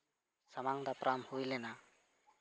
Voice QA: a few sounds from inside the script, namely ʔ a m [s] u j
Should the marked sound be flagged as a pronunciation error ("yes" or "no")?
yes